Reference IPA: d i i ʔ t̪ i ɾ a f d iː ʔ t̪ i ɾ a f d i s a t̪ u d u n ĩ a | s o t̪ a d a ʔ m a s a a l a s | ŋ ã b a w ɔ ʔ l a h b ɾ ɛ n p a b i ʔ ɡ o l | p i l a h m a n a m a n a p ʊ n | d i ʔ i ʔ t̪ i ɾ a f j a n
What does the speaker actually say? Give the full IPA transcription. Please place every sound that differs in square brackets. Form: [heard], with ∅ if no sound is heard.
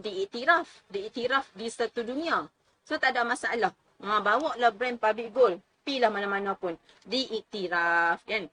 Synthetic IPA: d i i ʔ t̪ i ɾ a f d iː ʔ t̪ i ɾ a f d i s a t̪ u d u n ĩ a | s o t̪ a d a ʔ m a s a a l a [h] | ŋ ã b a w ɔ ʔ l a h b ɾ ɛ n p a b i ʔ ɡ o l | p i l a h m a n a m a n a p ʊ n | d i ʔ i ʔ t̪ i ɾ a f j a n